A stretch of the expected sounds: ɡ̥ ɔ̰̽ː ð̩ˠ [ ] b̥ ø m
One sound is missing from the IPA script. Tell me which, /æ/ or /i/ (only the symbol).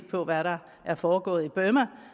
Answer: i